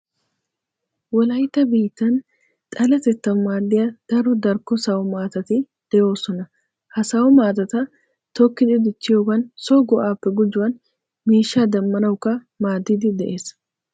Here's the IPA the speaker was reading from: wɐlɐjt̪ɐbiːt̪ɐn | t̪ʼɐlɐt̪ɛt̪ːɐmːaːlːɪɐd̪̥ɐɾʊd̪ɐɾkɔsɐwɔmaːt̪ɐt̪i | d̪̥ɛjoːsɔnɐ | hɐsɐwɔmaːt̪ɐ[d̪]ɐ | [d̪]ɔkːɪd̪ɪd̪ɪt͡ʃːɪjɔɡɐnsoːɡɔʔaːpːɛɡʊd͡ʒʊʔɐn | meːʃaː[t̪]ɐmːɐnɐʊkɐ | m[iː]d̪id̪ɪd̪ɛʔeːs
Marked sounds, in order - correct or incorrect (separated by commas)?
incorrect, incorrect, incorrect, incorrect